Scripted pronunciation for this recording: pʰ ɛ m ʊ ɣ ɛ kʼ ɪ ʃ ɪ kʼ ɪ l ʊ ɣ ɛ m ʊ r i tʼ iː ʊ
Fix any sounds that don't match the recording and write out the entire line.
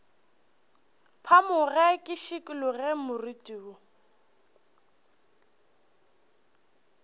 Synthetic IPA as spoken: pʰ a m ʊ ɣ ɛ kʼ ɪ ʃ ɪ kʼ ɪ l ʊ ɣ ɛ m ʊ r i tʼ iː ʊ